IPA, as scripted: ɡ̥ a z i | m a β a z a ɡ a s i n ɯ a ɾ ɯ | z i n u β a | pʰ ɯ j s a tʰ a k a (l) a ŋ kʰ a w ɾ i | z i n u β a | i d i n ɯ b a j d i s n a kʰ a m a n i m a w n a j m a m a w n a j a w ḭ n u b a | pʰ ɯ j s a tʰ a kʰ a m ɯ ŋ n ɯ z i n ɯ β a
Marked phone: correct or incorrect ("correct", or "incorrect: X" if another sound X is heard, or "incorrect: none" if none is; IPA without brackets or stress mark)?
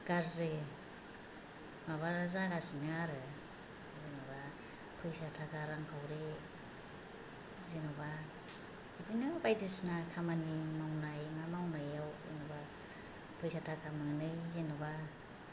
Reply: incorrect: ɾ